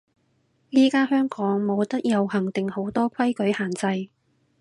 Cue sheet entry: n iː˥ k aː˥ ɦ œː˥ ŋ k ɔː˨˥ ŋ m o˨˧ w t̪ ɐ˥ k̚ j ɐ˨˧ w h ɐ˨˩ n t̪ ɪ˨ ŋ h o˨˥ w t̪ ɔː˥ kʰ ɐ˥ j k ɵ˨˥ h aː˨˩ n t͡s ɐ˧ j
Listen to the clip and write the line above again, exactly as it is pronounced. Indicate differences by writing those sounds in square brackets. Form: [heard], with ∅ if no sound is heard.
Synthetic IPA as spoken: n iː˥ k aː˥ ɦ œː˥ ŋ k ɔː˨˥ ŋ m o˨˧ w t̪ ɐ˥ k̚ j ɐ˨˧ w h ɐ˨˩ [ŋ] t̪ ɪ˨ ŋ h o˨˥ w t̪ ɔː˥ kʰ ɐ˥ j k ɵ˨˥ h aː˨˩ n t͡s ɐ˧ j